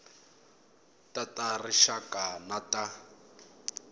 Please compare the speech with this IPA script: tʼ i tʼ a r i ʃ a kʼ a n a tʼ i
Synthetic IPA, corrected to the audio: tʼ a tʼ a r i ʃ a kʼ a n a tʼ a